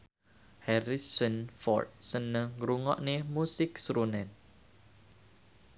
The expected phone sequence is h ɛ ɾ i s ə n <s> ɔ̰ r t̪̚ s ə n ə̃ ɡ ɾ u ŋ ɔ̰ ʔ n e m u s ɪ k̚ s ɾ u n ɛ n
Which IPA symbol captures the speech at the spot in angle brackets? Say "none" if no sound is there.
f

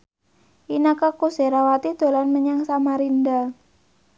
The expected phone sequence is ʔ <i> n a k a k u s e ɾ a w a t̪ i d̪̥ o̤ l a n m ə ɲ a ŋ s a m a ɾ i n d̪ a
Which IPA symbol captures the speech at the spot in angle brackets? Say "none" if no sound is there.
i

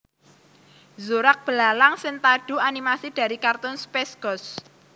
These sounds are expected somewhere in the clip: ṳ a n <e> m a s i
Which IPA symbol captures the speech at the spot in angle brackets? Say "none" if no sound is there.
i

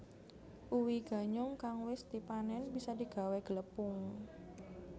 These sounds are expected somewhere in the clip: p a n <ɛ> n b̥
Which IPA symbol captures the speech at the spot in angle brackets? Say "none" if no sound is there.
ɛ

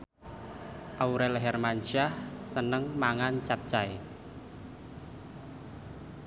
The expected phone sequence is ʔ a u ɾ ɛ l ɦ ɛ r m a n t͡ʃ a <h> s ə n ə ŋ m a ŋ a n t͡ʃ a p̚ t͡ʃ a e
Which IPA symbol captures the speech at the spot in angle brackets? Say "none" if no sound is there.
h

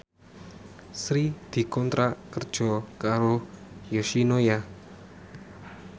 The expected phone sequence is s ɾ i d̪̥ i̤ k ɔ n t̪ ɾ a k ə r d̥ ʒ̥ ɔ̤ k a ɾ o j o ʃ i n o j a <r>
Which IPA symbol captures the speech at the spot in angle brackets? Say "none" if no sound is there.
none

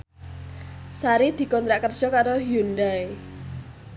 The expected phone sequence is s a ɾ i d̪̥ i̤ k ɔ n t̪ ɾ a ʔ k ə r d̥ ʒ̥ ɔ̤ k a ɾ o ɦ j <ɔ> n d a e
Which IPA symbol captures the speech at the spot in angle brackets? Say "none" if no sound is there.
u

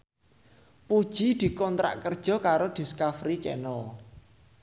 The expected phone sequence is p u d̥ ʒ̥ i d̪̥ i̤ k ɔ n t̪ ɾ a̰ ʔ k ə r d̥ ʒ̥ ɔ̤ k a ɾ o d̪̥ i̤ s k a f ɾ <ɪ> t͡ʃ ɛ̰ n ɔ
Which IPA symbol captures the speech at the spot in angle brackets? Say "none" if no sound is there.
i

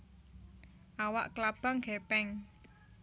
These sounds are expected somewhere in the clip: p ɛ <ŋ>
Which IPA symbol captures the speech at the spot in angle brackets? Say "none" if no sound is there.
ŋ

